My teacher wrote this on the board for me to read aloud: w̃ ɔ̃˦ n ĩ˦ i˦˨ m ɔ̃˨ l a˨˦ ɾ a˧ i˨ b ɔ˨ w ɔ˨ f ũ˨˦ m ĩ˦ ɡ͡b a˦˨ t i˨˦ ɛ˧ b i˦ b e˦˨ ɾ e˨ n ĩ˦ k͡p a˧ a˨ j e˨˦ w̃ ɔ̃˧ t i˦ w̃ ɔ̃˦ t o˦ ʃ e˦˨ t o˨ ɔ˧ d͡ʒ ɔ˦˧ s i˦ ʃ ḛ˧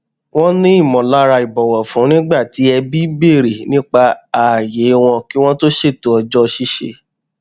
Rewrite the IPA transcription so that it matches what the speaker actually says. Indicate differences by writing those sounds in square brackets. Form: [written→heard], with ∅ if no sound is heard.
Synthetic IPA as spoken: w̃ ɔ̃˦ n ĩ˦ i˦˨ m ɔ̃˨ l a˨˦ ɾ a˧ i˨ b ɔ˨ w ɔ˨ f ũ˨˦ [m→n] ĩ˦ ɡ͡b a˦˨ t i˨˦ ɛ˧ b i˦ b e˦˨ ɾ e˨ n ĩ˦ k͡p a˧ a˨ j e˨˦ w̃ ɔ̃˧ [t→k] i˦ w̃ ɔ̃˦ t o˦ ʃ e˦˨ t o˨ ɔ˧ d͡ʒ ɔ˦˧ [s→ʃ] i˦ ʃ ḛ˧